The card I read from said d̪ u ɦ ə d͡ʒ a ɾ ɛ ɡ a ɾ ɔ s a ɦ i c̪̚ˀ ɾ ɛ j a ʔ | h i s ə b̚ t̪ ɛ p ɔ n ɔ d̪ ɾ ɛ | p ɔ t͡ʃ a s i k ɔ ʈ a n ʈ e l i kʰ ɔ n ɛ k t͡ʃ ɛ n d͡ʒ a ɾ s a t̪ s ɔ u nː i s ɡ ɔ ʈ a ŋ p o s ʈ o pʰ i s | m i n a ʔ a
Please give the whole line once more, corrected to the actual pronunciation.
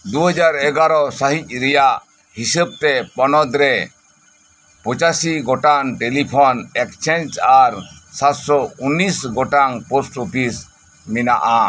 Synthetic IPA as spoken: d̪ u ɦ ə d͡ʒ a ɾ ɛ ɡ a ɾ ɔ s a ɦ i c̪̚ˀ ɾ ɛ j a ʔ | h i s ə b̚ t̪ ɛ p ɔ n ɔ d̪ ɾ ɛ | p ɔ t͡ʃ a s i ɡ ɔ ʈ a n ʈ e l i pʰ ɔ n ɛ k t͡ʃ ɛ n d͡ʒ a ɾ s a t̪ s ɔ u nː i s ɡ ɔ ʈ a ŋ p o s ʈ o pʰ i s | m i n a ʔ a